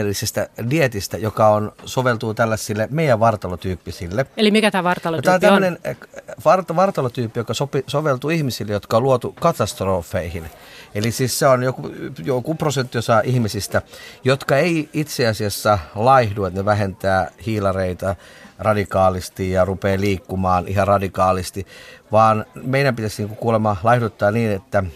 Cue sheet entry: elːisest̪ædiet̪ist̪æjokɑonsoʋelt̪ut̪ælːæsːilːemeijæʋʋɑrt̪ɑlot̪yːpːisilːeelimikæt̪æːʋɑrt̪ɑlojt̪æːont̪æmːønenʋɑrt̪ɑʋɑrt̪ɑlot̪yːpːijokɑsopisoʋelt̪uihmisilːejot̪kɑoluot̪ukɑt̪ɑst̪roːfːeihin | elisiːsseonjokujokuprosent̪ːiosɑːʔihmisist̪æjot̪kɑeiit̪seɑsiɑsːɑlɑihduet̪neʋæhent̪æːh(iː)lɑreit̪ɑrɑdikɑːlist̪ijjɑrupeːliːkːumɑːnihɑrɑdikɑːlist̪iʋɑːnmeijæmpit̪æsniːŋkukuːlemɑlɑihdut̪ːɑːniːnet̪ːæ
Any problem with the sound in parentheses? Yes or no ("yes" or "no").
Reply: no